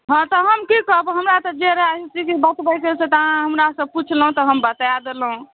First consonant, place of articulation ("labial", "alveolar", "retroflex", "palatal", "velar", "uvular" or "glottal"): glottal